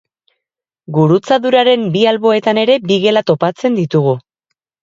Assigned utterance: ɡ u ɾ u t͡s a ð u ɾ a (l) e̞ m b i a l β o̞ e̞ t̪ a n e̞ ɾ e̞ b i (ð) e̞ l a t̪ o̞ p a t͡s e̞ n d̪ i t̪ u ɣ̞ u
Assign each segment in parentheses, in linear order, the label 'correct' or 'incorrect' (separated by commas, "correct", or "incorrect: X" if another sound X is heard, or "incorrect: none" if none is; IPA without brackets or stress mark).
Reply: incorrect: ɾ, incorrect: ɣ